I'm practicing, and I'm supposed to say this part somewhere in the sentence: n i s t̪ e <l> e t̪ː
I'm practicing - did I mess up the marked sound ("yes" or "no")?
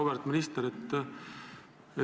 yes